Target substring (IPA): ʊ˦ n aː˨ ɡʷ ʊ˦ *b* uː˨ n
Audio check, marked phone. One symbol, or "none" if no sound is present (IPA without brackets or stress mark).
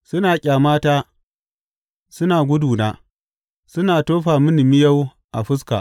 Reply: d